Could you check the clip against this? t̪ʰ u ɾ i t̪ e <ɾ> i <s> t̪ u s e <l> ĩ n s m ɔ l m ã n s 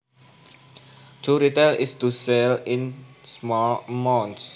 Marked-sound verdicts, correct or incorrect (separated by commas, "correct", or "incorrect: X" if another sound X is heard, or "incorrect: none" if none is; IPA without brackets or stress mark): incorrect: l, correct, correct